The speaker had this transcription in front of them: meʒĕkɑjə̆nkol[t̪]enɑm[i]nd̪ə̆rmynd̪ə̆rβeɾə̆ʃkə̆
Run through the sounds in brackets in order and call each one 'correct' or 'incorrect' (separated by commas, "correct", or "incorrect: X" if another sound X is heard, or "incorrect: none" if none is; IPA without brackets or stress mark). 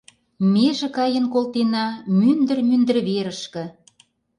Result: correct, incorrect: y